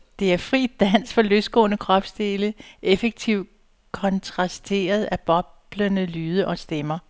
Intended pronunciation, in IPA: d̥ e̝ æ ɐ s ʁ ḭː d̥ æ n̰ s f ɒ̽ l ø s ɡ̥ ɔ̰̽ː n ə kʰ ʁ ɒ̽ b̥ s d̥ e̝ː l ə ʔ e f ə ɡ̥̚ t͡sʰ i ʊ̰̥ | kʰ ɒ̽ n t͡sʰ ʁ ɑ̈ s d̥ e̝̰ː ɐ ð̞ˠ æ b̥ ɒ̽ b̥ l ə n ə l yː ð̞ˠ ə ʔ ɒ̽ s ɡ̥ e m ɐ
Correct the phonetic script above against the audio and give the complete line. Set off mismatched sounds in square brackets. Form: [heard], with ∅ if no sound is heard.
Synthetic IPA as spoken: d̥ e̝ æ ɐ [f] ʁ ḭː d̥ æ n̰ s f ɒ̽ l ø s ɡ̥ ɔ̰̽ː n ə kʰ ʁ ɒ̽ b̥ s d̥ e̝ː l ə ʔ e f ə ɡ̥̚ t͡sʰ i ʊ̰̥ | kʰ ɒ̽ n t͡sʰ ʁ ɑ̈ s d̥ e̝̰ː ɐ ð̞ˠ æ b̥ ɒ̽ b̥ l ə n ə l yː ð̞ˠ ə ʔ ɒ̽ s [d̥] e m ɐ